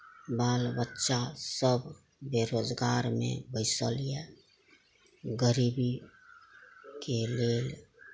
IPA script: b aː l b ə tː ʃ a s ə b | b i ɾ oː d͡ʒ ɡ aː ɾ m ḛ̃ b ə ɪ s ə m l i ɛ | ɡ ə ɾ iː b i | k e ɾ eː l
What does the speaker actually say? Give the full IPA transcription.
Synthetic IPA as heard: b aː l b ə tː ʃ a s ə b | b e ɾ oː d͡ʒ ɡ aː ɾ m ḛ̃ b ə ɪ s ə l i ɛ | ɡ ə ɾ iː b i | k e l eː l